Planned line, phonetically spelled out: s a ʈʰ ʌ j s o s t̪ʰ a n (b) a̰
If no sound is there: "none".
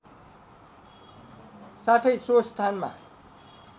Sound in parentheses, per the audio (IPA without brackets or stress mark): m